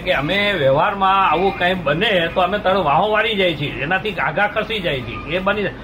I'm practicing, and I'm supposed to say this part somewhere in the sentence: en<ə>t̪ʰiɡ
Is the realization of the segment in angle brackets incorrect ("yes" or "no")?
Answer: yes